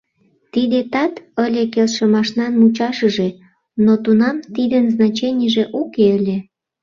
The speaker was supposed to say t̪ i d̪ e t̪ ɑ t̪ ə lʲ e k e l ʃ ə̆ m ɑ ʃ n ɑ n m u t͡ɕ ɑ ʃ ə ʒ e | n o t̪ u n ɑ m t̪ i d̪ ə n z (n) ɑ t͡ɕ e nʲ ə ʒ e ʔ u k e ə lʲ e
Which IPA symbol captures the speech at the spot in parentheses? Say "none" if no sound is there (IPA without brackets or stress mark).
n